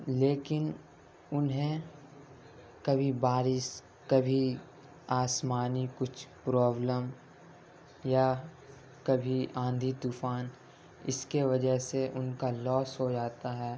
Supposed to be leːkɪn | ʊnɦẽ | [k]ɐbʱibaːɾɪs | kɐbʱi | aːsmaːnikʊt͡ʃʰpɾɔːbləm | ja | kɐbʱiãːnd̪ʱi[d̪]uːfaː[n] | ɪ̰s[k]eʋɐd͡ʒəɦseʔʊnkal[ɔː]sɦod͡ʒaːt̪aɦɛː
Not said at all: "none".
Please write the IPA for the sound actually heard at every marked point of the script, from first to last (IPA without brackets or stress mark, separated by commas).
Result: k, t̪, n, k, ɔː